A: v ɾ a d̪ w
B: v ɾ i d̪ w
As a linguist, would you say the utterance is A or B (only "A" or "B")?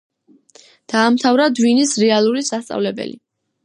A